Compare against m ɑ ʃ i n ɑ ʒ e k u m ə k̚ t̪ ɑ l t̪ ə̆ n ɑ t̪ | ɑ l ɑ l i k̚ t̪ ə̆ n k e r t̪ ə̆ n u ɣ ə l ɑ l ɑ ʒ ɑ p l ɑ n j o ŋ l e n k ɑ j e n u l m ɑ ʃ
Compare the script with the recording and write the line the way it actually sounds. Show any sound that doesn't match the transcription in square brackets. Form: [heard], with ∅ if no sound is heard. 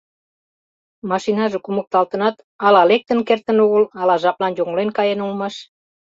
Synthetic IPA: m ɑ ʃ i n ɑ ʒ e k u m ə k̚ t̪ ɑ l t̪ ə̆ n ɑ t̪ | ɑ l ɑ l [e] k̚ t̪ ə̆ n k e r t̪ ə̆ n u ɣ ə l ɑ l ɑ ʒ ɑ p l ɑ n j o ŋ l e n k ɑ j e n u l m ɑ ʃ